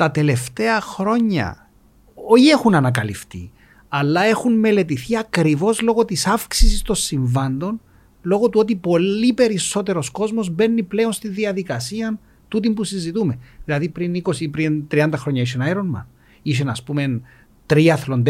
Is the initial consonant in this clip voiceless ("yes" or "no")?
yes